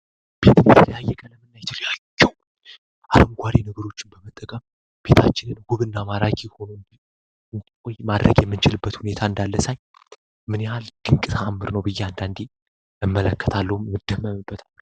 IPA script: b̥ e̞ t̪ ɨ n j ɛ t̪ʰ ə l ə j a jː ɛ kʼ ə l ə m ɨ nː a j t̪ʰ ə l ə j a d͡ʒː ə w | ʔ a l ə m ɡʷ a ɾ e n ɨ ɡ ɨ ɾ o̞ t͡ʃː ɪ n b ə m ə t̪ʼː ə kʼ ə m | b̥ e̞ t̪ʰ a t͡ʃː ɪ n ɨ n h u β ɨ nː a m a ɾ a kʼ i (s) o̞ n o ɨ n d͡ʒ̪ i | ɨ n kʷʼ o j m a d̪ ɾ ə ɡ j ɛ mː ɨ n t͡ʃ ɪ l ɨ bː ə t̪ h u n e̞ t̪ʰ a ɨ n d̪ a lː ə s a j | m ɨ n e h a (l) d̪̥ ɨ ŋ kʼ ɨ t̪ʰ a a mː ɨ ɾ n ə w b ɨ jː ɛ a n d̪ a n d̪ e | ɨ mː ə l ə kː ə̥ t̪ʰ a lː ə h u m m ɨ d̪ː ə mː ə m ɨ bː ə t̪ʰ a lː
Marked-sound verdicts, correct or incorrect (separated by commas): incorrect, correct